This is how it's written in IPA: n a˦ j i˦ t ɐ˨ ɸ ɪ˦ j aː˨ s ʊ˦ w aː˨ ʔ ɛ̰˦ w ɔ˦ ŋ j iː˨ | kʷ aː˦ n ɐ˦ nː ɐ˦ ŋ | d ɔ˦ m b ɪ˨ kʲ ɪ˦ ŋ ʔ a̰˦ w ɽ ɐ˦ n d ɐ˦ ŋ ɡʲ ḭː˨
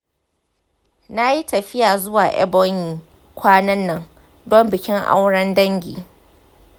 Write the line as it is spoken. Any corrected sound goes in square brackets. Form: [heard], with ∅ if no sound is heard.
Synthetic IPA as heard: n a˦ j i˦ t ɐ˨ ɸ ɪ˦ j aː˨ [z] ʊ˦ w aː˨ ʔ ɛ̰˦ [b] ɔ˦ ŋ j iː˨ | kʷ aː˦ n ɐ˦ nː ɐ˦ ŋ | d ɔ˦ m b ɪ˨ kʲ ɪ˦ ŋ ʔ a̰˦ w ɽ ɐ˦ n d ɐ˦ ŋ ɡʲ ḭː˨